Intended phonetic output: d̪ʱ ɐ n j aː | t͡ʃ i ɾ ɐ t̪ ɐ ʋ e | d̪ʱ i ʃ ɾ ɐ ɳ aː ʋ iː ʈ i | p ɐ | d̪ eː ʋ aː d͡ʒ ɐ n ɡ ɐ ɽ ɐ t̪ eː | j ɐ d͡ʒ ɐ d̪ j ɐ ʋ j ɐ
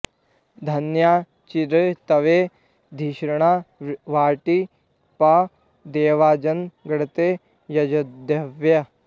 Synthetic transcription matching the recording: d̪ʱ ɐ n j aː | t͡ʃ i ɾ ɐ t̪ ɐ ʋ e | d̪ʱ i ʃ ɾ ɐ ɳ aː ʋ aː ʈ i | p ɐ | d̪ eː ʋ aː d͡ʒ ɐ n ɡ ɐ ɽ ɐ t̪ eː | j ɐ d͡ʒ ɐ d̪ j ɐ ʋ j ɐ

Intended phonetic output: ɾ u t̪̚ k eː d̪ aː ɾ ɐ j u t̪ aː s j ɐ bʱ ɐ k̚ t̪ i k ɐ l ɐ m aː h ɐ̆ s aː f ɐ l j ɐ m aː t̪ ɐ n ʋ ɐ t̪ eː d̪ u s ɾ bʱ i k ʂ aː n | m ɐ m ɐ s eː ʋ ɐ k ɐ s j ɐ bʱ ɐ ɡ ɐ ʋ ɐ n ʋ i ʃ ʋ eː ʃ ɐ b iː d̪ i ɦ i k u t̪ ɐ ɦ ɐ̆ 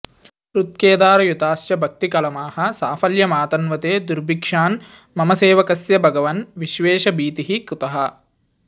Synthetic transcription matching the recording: ɾ u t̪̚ k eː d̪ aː ɾ ɐ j u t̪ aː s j ɐ bʱ ɐ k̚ t̪ i k ɐ l ɐ m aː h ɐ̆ s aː f ɐ l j ɐ m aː t̪ ɐ n ʋ ɐ t̪ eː d̪ u ɾ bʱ i k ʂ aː n | m ɐ m ɐ s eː ʋ ɐ k ɐ s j ɐ bʱ ɐ ɡ ɐ ʋ ɐ n ʋ i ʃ ʋ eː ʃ ɐ b iː t̪ i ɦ i k u t̪ ɐ ɦ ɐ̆

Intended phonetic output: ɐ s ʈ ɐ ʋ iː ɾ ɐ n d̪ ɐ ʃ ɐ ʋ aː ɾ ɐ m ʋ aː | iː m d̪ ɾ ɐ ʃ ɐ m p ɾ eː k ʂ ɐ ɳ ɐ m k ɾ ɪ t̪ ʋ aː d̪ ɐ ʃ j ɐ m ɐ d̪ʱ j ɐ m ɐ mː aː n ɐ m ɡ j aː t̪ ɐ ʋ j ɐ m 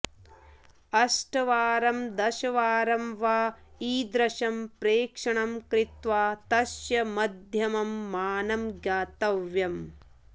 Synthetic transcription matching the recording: ɐ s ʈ ɐ ʋ aː ɾ ɐ m d̪ ɐ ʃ ɐ ʋ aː ɾ ɐ m ʋ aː | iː d̪ ɾ ɐ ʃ ɐ m p ɾ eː k ʂ ɐ ɳ ɐ m k ɾ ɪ t̪ ʋ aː t̪ ɐ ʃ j ɐ m ɐ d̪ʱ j ɐ m ɐ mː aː n ɐ m ɡ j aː t̪ ɐ ʋ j ɐ m

